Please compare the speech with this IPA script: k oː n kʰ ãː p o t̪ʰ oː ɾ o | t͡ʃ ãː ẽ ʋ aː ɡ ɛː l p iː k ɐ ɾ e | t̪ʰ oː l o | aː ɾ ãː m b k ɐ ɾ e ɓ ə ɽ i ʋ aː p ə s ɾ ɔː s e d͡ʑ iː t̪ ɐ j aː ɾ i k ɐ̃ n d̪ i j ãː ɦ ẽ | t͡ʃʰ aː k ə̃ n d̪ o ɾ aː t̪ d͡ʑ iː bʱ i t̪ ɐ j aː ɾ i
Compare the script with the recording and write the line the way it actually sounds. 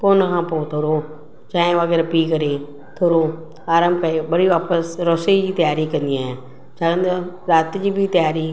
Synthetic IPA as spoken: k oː n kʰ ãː p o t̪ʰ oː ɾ o | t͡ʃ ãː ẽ ʋ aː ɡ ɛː ɾ p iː k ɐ ɾ e | t̪ʰ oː ɾ o | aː ɾ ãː m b k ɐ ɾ e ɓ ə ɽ i ʋ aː p ə s ɾ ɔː s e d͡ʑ iː t̪ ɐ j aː ɾ i k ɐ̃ n d̪ i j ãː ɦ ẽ | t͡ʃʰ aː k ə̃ n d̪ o ɾ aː t̪ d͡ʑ iː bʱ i t̪ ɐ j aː ɾ i